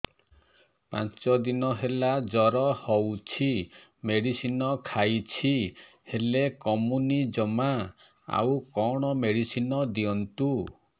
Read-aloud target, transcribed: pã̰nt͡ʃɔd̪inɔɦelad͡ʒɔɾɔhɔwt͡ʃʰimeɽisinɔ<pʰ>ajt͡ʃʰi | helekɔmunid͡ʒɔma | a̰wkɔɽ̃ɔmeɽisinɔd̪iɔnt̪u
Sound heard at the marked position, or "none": kʰ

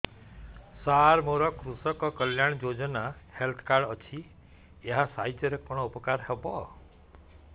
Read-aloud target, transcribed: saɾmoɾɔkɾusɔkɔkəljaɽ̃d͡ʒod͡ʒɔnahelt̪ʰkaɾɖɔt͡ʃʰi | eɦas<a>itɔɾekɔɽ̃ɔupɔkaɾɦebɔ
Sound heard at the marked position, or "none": a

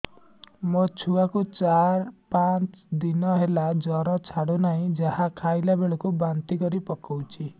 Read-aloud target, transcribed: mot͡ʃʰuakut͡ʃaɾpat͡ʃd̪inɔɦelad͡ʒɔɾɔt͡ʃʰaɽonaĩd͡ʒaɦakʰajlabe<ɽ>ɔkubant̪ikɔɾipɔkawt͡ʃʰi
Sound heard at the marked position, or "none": ɭ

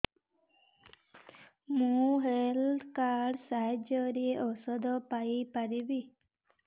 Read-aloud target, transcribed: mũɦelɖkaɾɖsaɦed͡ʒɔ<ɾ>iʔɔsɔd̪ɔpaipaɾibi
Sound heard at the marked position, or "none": ɾ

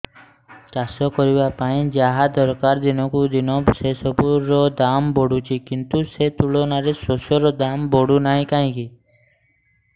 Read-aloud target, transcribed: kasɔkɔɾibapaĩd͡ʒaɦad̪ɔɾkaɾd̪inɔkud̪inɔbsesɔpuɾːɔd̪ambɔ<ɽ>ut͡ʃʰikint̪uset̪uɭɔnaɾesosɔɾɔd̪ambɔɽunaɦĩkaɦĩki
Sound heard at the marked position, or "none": ɽ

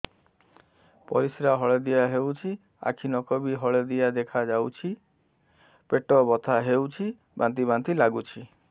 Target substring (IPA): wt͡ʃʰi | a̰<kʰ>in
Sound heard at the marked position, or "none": kʰ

